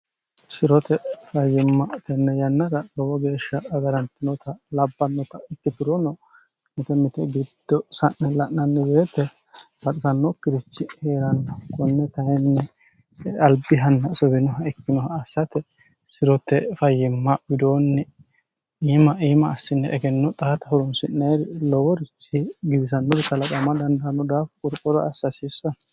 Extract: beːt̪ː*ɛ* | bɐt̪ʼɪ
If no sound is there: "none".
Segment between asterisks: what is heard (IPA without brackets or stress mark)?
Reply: ɛ